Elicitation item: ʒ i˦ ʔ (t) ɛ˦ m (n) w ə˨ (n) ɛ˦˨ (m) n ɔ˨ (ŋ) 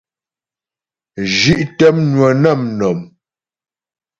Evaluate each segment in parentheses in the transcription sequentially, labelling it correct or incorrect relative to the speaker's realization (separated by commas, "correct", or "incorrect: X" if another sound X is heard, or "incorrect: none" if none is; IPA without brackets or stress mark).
correct, correct, correct, correct, incorrect: m